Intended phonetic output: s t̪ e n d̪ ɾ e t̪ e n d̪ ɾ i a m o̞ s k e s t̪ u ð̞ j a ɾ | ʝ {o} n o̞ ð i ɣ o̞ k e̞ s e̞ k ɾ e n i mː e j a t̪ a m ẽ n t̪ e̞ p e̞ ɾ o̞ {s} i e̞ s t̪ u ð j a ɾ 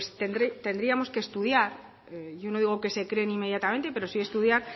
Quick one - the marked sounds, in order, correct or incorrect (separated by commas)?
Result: correct, correct